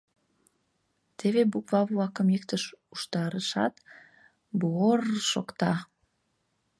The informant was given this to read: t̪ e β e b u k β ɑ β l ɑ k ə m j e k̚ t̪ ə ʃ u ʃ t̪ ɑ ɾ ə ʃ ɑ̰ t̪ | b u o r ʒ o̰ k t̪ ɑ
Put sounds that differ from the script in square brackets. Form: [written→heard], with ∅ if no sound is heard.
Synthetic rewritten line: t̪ e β e b u k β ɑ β l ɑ k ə m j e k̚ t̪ ə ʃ u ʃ t̪ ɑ ɾ ə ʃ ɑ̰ t̪ | b u o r [ʒ→ʃ] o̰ k t̪ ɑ